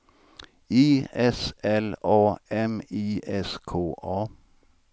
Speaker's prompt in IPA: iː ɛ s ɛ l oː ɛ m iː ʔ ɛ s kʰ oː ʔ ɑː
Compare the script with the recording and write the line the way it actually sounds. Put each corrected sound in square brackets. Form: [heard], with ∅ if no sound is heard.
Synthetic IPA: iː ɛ s ɛ l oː ɛ m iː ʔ ɛ s kʰ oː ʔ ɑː